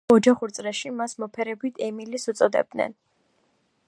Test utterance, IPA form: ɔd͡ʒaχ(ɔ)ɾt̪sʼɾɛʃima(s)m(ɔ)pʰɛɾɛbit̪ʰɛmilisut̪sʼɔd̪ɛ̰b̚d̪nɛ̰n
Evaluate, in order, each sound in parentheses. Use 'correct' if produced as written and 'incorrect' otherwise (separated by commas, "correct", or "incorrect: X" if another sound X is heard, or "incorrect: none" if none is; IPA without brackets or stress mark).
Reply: incorrect: u, correct, correct